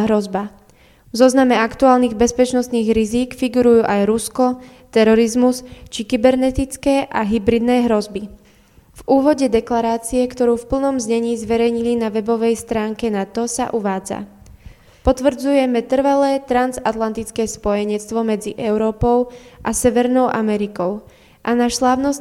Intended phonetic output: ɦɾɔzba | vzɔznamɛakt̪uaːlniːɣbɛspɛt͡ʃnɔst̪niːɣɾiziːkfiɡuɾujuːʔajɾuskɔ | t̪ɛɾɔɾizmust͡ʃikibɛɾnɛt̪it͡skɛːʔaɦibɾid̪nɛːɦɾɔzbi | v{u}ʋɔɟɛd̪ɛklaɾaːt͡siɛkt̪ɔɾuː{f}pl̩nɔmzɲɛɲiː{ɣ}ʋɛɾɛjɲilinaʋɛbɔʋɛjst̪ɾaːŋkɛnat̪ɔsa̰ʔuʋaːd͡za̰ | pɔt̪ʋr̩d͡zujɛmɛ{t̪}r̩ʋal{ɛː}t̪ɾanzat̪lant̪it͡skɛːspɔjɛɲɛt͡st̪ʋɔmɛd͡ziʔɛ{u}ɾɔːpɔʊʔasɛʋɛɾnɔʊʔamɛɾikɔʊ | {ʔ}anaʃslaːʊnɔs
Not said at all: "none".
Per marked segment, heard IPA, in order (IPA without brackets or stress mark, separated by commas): uː, f, z, t̪, ɛː, ʊ, ʔ